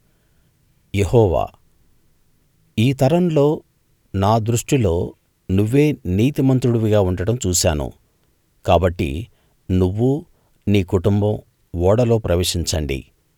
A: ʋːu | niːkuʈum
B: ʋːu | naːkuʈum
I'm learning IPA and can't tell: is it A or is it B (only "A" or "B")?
A